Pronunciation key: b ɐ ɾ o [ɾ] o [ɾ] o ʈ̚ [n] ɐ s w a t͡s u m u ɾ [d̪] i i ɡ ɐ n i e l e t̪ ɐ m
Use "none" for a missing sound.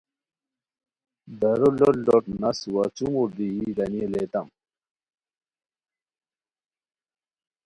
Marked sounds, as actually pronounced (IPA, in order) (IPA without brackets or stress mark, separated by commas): l, l, n, d̪